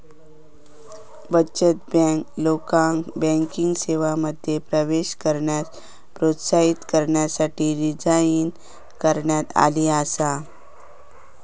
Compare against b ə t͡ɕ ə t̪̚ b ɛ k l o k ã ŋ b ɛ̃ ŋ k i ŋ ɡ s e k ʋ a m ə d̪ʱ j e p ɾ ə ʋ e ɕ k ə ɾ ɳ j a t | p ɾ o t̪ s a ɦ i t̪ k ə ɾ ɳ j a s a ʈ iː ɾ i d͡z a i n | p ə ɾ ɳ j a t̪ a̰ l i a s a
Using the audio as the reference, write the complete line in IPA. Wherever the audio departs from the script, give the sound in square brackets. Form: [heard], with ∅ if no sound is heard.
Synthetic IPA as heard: b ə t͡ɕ ə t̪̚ b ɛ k l o k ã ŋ b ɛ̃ ŋ k i ŋ ɡ s e [∅] ʋ a m ə d̪ʱ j e p ɾ ə ʋ e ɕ k ə ɾ ɳ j a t | p ɾ o t̪ s a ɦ i t̪ k ə ɾ ɳ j a s a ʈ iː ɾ i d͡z a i n | [k] ə ɾ ɳ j a t̪ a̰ l i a s a

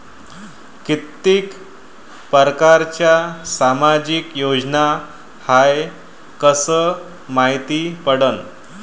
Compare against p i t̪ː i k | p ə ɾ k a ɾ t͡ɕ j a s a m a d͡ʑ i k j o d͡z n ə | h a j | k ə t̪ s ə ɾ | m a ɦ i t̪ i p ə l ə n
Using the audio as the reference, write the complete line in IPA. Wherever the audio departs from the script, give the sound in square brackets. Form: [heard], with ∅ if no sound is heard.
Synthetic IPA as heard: [k] i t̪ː i k | p ə ɾ k a ɾ t͡ɕ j a s a m a d͡ʑ i k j o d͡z n [a] | h a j | k ə [∅] s ə [∅] | m a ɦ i t̪ i p ə [ɽ] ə n

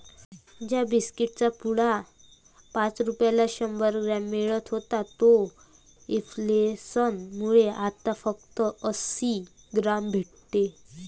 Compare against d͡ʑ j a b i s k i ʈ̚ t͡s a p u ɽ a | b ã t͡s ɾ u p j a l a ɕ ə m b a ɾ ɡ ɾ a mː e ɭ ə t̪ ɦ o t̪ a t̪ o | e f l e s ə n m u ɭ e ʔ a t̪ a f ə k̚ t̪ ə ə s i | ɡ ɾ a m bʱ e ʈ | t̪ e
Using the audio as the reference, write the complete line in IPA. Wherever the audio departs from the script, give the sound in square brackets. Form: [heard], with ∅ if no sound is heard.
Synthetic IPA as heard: d͡ʑ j a b i s k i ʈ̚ t͡s a p u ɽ a | [p] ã t͡s ɾ u p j a l a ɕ ə m b [ə] ɾ ɡ ɾ a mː e ɭ ə t̪ ɦ o t̪ a t̪ o | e f l e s ə n m u ɭ e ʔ a t̪ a f ə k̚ t̪ ə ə s i | ɡ ɾ a m bʱ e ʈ | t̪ e

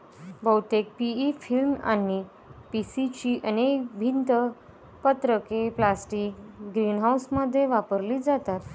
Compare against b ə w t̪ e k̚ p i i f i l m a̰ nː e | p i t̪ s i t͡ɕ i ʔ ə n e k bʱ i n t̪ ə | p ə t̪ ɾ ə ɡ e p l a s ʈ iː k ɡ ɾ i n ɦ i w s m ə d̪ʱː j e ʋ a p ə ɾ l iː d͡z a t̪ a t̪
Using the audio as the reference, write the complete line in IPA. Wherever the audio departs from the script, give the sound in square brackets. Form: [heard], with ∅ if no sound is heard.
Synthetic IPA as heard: b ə w t̪ e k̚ p i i f i l m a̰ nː [i] | p i [∅] s i t͡ɕ i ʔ ə n e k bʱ i n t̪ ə | p ə t̪ ɾ ə [k] e p l a s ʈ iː k ɡ ɾ i n ɦ [a] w s m ə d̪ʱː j e ʋ a p ə ɾ l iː d͡z a t̪ a t̪

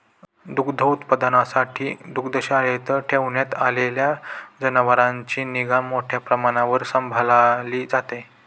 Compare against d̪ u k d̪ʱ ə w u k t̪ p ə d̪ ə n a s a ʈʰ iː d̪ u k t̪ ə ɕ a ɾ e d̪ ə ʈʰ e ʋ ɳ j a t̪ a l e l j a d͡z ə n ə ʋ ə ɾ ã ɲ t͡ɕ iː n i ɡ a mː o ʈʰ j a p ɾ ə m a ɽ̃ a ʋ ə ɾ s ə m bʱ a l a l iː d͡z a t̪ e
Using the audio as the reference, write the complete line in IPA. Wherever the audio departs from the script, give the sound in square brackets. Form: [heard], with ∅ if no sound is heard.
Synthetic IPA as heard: d̪ u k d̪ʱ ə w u [∅] t̪ p ə d̪ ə n a s a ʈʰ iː d̪ u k [d̪] ə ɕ a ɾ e [t̪] ə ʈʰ e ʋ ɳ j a t̪ a l e l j a d͡z ə n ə ʋ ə ɾ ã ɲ t͡ɕ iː n i ɡ a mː o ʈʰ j a p ɾ ə m a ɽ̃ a ʋ ə ɾ s ə m bʱ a l a l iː d͡z a t̪ e

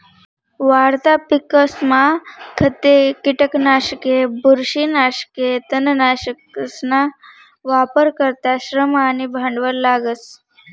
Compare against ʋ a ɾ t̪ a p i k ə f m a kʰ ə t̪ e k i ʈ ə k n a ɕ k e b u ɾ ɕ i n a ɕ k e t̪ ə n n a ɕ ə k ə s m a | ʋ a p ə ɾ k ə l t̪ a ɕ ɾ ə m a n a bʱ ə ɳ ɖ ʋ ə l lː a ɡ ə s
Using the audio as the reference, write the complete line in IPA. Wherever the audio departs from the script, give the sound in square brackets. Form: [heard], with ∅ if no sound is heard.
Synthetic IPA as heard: ʋ a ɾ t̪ a p i k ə [s] m a kʰ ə t̪ e k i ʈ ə k n a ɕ k e b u ɾ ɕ i n a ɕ k e t̪ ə n n a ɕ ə k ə s [n] a | ʋ a p ə ɾ k ə [ɾ] t̪ a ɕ ɾ ə m a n [i] bʱ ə ɳ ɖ ʋ ə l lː a ɡ ə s

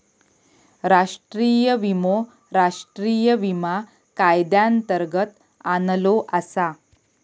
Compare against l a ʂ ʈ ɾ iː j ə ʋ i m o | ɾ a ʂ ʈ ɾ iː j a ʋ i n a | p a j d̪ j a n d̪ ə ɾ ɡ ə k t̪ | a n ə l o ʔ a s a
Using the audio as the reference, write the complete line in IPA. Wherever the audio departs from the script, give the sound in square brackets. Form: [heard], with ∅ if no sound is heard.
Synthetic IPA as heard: [ɾ] a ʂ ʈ ɾ iː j ə ʋ i m o | ɾ a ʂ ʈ ɾ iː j [ə] ʋ i [m] a | [k] a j d̪ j a n [t̪] ə ɾ ɡ ə [∅] t̪ | a n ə l o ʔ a s a

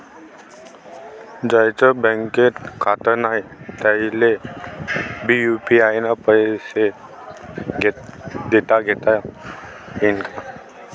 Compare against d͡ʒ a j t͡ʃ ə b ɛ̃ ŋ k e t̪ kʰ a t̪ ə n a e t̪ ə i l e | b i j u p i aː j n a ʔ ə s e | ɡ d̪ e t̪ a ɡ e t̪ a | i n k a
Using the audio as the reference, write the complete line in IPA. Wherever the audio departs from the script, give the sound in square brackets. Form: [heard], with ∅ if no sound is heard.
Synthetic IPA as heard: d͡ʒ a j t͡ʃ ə b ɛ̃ ŋ k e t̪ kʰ a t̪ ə n a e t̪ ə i l e | b i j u p i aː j n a [p] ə s e | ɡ d̪ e t̪ a ɡ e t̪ a | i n k a

